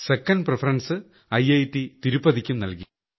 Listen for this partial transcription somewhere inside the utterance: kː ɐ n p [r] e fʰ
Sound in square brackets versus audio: correct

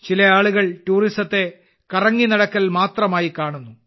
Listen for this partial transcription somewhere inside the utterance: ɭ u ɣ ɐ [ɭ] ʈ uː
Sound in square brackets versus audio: correct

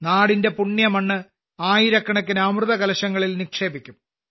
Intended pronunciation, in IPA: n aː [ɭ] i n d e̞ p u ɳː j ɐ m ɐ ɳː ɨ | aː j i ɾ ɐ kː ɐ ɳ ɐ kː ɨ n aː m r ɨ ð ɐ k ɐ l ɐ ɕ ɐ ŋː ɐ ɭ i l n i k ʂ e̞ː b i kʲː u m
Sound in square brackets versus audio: incorrect: ɽ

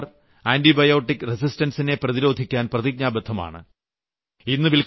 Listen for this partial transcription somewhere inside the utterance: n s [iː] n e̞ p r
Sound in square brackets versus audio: incorrect: i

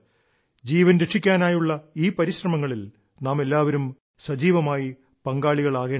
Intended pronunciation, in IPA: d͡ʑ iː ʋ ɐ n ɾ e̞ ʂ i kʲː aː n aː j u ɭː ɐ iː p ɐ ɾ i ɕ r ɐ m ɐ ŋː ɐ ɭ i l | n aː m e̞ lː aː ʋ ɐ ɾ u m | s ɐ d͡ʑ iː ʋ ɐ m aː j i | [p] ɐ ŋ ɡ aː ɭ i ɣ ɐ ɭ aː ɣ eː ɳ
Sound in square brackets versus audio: correct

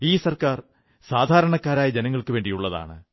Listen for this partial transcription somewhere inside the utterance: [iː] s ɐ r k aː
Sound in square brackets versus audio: correct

